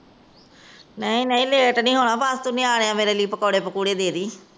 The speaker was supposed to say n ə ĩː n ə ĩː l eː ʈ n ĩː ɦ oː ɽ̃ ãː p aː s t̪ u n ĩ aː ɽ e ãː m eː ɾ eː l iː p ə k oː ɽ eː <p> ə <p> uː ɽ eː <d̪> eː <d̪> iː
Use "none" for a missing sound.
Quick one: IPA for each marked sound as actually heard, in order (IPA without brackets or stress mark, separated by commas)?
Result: p, k, d̪, d̪